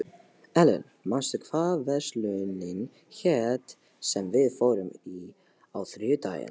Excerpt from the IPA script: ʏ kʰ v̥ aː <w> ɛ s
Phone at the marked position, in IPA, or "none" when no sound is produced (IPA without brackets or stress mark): v